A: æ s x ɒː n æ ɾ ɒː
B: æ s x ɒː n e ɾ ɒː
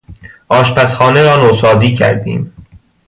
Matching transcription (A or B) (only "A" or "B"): B